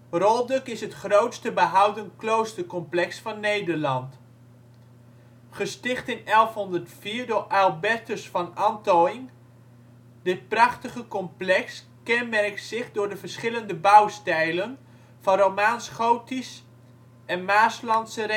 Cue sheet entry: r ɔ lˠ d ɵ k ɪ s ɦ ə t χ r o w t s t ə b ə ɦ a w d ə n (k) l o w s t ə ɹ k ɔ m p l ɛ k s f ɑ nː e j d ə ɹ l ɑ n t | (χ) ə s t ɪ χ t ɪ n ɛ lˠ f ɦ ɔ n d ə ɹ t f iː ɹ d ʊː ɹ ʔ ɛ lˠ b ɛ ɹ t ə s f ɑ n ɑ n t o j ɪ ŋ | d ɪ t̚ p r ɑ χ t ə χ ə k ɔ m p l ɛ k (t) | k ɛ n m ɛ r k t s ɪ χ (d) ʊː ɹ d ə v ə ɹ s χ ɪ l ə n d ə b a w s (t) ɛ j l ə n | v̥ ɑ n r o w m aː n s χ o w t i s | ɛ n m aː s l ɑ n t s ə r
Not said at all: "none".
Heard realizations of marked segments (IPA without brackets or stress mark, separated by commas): k, χ, s, d, t